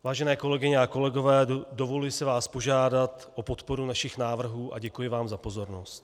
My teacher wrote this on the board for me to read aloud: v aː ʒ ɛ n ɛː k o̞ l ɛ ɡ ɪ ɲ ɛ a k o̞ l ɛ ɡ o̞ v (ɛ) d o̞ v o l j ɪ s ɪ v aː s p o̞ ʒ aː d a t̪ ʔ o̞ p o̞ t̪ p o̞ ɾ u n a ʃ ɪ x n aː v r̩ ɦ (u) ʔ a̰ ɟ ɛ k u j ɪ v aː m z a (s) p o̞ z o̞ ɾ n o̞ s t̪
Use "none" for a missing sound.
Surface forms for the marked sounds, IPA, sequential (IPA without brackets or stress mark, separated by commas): ɛː, uː, none